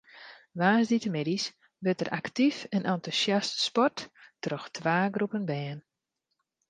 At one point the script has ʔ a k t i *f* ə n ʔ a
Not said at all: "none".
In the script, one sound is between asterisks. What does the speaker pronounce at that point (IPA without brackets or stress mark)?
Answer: f